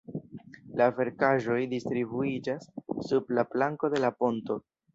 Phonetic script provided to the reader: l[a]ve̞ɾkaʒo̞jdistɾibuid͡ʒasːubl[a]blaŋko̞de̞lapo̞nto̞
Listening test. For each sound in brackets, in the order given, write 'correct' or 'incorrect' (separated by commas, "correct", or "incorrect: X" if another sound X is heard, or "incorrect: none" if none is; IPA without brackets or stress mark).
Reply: correct, correct